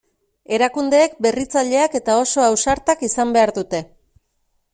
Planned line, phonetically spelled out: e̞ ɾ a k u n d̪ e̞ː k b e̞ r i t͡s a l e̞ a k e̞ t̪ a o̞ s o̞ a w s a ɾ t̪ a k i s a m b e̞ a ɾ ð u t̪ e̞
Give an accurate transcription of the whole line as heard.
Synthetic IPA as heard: e̞ ɾ a k u n d̪ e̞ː k b e̞ r i t͡s a ʎ e̞ a k e̞ t̪ a o̞ s o̞ a w s a ɾ t̪ a k i s a m b e̞ a ɾ ð u t̪ e̞